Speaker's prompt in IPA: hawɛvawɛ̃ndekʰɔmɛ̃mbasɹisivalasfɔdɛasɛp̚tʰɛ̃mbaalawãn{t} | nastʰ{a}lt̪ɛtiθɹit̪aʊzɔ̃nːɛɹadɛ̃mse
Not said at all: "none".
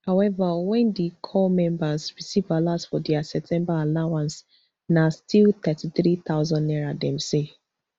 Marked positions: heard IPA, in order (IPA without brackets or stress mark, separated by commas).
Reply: s, i